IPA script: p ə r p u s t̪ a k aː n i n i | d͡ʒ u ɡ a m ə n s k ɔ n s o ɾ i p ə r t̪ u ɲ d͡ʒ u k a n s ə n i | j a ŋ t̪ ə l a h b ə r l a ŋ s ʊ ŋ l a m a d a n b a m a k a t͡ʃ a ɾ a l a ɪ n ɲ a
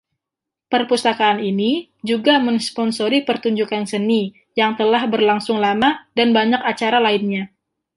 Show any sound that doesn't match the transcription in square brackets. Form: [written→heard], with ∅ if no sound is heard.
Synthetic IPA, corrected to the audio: p ə r p u s t̪ a k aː n i n i | d͡ʒ u ɡ a m ə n s [k→p] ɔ n s o ɾ i p ə r t̪ u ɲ d͡ʒ u k a n s ə n i | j a ŋ t̪ ə l a h b ə r l a ŋ s ʊ ŋ l a m a d a n b a [m→ɲ] a k a t͡ʃ a ɾ a l a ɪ n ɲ a